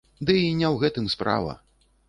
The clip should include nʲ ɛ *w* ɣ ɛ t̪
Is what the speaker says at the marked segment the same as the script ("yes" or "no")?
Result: yes